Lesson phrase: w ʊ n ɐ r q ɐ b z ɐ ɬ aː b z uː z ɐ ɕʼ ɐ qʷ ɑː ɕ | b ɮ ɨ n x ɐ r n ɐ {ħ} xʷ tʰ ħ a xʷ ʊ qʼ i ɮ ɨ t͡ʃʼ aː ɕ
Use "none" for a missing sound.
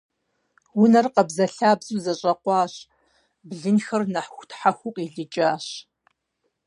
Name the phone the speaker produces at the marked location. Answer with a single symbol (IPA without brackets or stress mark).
ħ